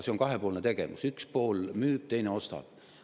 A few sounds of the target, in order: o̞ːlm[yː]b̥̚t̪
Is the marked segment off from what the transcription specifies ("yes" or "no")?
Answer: no